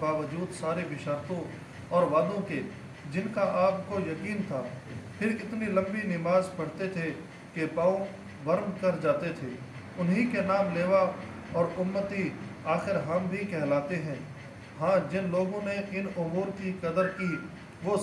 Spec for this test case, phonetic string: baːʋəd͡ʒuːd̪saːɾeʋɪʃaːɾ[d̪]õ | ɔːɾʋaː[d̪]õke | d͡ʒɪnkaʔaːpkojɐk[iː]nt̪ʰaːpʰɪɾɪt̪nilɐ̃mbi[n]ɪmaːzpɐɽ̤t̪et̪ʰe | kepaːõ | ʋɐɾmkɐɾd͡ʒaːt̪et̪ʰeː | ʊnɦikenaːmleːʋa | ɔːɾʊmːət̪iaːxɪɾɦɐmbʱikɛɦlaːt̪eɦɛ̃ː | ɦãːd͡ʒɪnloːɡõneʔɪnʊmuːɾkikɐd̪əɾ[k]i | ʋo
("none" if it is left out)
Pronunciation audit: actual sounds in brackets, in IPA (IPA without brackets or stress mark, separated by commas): t̪, d̪, iː, n, k